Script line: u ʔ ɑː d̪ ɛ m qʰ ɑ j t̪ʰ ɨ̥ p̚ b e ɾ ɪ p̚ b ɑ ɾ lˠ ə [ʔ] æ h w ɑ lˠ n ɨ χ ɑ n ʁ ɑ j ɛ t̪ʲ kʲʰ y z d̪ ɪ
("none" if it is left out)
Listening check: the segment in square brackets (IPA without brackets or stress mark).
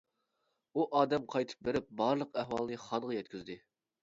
q